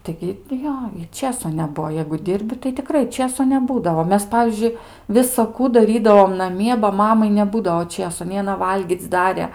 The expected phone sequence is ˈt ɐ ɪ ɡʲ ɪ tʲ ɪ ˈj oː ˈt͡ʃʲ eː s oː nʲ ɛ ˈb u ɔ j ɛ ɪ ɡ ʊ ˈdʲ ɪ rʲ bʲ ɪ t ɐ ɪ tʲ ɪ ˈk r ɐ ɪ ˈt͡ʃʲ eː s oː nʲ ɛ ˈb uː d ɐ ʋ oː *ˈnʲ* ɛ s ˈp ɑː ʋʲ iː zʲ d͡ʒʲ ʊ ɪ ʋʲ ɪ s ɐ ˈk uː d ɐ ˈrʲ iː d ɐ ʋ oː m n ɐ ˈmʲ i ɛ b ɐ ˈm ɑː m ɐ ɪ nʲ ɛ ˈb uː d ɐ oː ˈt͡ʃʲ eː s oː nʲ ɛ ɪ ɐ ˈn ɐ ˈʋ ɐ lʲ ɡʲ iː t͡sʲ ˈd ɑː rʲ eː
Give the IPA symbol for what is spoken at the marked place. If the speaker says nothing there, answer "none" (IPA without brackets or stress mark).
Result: mʲ